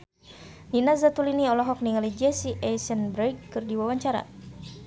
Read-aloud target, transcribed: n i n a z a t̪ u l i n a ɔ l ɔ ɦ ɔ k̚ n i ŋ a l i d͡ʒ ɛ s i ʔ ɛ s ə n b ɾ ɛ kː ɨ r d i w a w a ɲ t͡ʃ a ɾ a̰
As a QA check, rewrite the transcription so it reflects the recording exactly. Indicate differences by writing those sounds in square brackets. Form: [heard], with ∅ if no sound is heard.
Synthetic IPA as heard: n i n a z a t̪ u l i n [i] ɔ l ɔ ɦ ɔ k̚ n i ŋ a l i d͡ʒ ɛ s i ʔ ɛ s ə n b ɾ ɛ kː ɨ r d i w a w a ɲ t͡ʃ a ɾ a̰